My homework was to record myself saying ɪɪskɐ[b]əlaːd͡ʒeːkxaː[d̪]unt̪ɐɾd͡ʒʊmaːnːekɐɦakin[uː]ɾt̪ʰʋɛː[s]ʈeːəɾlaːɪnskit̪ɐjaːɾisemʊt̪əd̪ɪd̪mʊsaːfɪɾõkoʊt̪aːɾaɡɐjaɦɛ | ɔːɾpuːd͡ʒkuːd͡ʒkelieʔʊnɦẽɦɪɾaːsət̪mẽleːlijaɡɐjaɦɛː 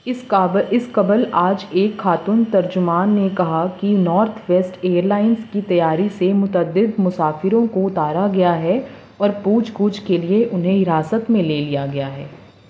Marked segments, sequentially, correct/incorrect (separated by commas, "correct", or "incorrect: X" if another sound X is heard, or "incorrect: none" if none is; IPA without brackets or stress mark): correct, incorrect: t̪, incorrect: ɔː, correct